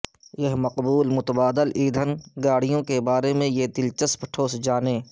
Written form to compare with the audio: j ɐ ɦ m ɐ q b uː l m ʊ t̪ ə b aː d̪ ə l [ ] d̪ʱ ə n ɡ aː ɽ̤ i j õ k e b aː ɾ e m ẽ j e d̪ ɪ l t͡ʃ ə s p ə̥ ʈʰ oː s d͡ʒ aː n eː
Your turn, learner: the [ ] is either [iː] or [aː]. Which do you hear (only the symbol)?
iː